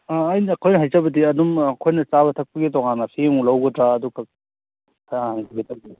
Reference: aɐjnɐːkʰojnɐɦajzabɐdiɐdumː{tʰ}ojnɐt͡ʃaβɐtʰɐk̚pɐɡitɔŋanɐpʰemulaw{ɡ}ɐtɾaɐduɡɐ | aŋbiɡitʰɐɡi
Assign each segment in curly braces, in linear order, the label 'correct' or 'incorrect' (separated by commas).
incorrect, correct